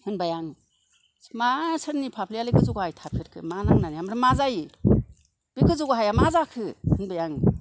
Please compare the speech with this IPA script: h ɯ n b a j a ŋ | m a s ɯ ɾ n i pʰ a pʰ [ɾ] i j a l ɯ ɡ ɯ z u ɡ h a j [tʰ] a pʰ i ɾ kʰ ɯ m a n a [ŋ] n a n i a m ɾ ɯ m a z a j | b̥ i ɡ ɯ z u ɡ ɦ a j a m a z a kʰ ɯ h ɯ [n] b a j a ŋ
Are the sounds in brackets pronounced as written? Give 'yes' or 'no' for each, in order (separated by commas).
no, yes, yes, yes